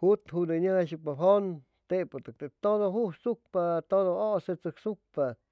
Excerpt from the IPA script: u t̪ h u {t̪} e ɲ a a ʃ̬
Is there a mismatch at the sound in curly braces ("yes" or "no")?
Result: yes